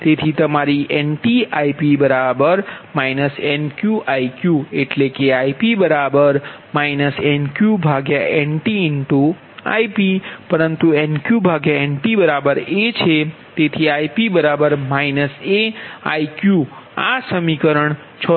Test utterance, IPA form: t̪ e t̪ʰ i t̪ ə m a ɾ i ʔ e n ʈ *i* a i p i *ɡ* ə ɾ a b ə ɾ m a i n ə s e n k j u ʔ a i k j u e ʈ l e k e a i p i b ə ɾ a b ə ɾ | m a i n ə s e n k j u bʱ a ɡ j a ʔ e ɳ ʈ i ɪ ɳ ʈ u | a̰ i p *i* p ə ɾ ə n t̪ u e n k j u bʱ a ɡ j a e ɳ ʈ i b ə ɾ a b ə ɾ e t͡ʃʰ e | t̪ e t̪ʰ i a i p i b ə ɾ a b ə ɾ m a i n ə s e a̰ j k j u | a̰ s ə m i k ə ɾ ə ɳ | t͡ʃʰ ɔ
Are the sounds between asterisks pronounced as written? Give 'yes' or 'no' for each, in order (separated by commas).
yes, no, yes